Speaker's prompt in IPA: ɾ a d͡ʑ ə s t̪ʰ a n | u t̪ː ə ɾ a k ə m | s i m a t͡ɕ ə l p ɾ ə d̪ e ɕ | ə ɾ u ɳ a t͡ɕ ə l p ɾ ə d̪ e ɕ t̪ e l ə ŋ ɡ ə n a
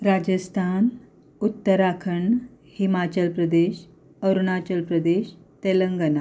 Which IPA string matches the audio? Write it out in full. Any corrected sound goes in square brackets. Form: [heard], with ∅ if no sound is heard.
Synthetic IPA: ɾ a d͡ʑ ə s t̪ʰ a n | u t̪ː ə ɾ a [kʰ] ə [ɳ] | [h] i m a t͡ɕ ə l p ɾ ə d̪ e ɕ | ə ɾ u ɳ a t͡ɕ ə l p ɾ ə d̪ e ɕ t̪ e l ə ŋ ɡ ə n a